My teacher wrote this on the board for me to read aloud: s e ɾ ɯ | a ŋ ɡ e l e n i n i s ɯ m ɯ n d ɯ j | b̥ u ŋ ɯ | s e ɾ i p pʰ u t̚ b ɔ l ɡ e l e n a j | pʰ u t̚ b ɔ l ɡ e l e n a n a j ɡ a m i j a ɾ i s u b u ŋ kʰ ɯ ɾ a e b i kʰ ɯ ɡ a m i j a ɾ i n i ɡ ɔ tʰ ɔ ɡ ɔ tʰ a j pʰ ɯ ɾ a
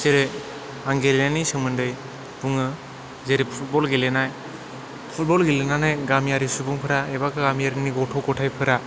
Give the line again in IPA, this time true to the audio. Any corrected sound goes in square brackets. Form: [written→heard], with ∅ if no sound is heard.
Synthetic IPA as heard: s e ɾ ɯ | a ŋ ɡ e l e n [i→a] n i s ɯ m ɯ n d ɯ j | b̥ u ŋ ɯ | [s→z] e ɾ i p pʰ u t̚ b ɔ l ɡ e l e n a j | pʰ u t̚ b ɔ l ɡ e l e n a n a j ɡ a m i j a ɾ i s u b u ŋ [kʰ→pʰ] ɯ ɾ a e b [i→a] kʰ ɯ ɡ a m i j a ɾ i n i ɡ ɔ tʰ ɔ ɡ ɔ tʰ a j pʰ ɯ ɾ a